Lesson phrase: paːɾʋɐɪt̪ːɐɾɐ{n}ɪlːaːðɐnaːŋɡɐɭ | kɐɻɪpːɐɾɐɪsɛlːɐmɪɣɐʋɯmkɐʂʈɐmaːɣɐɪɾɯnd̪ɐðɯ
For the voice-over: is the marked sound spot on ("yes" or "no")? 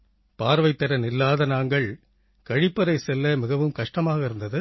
yes